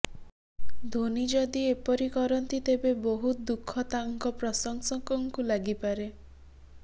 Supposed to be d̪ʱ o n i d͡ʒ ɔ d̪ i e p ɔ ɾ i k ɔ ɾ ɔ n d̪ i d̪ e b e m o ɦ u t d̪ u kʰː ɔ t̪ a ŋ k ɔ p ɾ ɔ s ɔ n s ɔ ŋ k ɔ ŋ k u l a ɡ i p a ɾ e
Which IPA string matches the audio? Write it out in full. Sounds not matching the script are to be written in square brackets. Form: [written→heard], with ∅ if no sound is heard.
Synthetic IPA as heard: d̪ʱ o n i d͡ʒ ɔ d̪ i e p ɔ ɾ i k ɔ ɾ ɔ n [d̪→t̪] i [d̪→t̪] e b e [m→b] o ɦ u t d̪ u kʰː ɔ t̪ a ŋ k ɔ p ɾ ɔ s ɔ [n→ŋ] s ɔ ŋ k ɔ ŋ k u l a ɡ i p a ɾ e